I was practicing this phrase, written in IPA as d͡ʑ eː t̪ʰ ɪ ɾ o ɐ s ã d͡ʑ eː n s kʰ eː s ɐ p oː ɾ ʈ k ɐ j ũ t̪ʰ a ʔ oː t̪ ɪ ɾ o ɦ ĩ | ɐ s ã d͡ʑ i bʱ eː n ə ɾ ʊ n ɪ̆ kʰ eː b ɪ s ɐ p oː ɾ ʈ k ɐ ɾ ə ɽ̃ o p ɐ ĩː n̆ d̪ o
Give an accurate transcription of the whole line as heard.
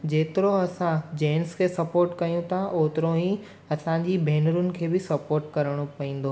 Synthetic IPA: d͡ʑ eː t̪ ɪ ɾ o ɐ s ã d͡ʑ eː n s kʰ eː s ɐ p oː ɾ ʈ k ɐ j ũ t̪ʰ a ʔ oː t̪ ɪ ɾ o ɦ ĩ | ɐ s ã d͡ʑ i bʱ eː n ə ɾ ʊ n ɪ̆ kʰ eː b ɪ s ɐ p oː ɾ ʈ k ɐ ɾ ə ɽ̃ o p ɐ ĩː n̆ d̪ o